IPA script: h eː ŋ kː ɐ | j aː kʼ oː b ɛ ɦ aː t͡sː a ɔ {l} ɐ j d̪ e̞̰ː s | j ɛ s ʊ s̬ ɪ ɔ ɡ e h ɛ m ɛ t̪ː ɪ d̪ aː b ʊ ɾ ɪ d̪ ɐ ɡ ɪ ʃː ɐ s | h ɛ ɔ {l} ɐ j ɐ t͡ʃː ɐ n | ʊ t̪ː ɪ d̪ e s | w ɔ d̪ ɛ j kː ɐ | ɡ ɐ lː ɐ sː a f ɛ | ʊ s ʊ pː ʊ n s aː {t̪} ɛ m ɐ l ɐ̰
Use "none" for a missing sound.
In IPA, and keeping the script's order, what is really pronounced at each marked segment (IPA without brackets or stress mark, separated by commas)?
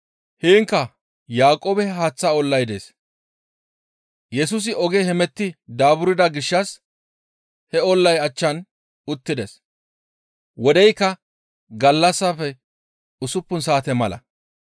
lː, lː, t̪